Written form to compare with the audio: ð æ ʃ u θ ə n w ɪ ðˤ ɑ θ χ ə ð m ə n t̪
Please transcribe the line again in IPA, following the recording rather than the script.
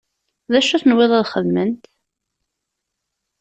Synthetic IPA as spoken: ð æ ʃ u θ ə n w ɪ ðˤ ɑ ð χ ə ð m ə n t̪